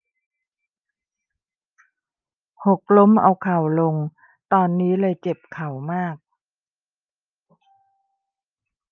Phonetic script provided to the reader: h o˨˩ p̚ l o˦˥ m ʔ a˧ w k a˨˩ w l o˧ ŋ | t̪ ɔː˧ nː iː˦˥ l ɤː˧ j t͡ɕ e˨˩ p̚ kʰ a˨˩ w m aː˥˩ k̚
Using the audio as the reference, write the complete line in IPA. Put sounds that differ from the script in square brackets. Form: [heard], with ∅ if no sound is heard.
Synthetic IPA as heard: h o˨˩ [k̚] l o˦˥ m ʔ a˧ w [kʰ] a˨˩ w l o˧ ŋ | t̪ ɔː˧ nː iː˦˥ l ɤː˧ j t͡ɕ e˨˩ p̚ kʰ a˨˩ w m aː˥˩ k̚